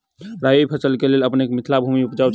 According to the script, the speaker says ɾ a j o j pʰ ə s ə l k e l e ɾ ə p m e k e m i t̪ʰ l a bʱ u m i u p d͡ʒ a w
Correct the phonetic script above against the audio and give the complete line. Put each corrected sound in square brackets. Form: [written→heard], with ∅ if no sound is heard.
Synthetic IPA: ɾ a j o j pʰ ə s ə l k e l e [ɾ→l] ə p [m→n] e k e m i t̪ʰ l a bʱ u m i u p d͡ʒ a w